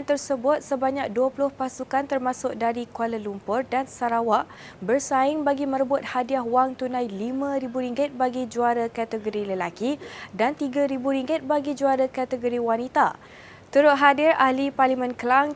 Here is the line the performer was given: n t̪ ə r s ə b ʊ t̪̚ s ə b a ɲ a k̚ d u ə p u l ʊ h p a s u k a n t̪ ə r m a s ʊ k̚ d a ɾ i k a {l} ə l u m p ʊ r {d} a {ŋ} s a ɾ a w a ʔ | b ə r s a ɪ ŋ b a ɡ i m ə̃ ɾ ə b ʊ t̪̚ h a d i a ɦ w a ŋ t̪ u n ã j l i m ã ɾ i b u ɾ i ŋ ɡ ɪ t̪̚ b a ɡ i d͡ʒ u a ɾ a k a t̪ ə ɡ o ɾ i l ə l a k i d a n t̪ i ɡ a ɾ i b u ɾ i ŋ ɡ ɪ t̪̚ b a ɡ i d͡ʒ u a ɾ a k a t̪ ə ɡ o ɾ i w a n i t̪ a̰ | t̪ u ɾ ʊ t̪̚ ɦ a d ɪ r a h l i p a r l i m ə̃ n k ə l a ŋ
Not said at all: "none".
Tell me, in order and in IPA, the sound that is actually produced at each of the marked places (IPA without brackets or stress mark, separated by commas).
l, d, n